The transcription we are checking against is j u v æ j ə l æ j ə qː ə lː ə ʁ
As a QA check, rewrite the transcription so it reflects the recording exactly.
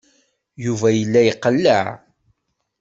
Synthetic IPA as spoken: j u v æ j ə lː æ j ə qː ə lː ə ʕ